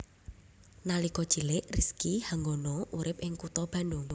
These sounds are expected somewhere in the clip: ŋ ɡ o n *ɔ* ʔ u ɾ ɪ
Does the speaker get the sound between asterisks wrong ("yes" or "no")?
no